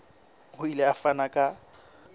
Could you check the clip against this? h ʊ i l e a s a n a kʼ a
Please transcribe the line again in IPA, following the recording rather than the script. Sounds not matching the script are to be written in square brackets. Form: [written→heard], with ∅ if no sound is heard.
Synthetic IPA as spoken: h ʊ i l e a [s→f] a n a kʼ a